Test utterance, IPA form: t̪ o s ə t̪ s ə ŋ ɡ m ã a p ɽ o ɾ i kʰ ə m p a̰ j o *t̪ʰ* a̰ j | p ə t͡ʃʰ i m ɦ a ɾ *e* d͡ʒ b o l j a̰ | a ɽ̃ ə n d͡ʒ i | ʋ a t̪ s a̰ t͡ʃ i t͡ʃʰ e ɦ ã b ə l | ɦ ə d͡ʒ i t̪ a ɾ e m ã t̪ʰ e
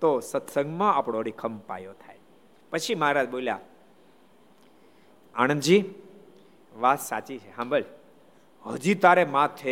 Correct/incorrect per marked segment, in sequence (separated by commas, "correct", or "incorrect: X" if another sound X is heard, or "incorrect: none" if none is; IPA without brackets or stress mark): correct, incorrect: a